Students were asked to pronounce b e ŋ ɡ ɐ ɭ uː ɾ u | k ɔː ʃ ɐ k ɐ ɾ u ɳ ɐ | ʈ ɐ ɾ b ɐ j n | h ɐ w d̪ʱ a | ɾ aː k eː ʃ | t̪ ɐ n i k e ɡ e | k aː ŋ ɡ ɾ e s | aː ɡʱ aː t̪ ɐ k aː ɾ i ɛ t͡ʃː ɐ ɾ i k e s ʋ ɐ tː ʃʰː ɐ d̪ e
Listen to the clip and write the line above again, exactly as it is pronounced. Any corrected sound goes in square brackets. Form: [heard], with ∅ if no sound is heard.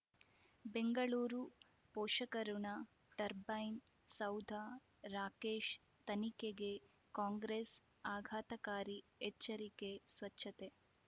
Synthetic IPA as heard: b e ŋ ɡ ɐ ɭ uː ɾ u | [p] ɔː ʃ ɐ k ɐ ɾ u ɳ ɐ | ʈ ɐ ɾ b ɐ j n | [s] ɐ w d̪ʱ a | ɾ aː k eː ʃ | t̪ ɐ n i k e ɡ e | k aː ŋ ɡ ɾ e s | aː ɡʱ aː t̪ ɐ k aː ɾ i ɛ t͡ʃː ɐ ɾ i k e s ʋ ɐ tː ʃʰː ɐ [t̪] e